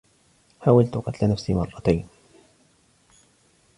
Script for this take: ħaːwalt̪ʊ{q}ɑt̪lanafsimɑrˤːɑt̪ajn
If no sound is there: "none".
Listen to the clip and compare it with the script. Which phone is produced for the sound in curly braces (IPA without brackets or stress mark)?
q